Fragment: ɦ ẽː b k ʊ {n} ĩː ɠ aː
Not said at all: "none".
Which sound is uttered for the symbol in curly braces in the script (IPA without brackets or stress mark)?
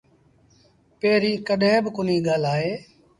n